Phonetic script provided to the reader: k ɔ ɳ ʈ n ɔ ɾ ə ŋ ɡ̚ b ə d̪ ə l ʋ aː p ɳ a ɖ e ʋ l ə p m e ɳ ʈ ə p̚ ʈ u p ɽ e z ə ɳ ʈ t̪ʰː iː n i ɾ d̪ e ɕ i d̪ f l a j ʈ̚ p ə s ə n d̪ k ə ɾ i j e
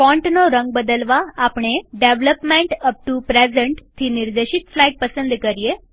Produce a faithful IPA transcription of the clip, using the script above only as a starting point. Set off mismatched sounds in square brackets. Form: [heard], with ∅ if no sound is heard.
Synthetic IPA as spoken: k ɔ ɳ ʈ n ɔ ɾ ə ŋ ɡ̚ b ə d̪ ə l ʋ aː p ɳ [e] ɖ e ʋ l ə p m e ɳ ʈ ə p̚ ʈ u p [ɾ] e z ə ɳ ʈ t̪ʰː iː n i ɾ d̪ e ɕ i [t̪] f l a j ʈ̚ p ə s ə n d̪ k ə ɾ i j e